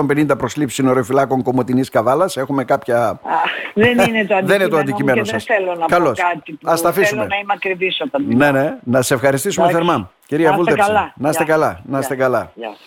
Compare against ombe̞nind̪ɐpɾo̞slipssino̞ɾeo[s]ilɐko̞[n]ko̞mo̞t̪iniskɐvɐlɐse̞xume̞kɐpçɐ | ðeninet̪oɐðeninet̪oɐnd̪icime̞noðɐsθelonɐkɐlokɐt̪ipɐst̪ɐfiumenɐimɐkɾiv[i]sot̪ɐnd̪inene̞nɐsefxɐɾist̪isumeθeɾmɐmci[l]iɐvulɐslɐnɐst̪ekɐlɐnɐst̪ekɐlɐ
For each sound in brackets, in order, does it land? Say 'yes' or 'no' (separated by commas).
no, no, yes, no